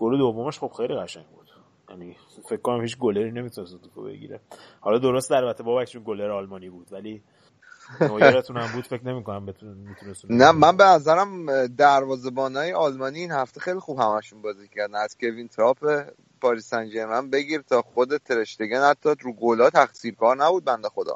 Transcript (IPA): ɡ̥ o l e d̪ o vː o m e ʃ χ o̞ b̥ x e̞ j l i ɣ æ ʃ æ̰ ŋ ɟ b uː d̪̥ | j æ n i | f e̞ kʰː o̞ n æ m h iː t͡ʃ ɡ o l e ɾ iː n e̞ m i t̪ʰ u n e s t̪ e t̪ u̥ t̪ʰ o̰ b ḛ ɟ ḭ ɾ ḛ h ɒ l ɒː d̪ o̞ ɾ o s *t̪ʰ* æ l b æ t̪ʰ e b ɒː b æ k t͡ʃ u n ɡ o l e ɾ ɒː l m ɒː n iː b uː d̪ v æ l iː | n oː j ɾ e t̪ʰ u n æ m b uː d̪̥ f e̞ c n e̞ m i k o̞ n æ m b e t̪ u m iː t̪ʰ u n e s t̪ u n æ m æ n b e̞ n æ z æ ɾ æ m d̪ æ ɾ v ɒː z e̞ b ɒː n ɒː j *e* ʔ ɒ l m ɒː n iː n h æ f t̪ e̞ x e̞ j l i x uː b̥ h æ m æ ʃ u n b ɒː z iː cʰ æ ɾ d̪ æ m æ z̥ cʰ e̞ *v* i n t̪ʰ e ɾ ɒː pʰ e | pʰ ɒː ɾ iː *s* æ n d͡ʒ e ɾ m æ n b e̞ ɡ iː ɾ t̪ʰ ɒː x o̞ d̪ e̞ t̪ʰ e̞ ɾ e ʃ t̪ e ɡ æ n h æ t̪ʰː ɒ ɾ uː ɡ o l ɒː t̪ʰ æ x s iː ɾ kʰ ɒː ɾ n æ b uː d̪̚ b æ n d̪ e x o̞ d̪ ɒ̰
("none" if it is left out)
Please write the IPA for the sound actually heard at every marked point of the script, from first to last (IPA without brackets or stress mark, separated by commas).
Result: t̪, e, v, s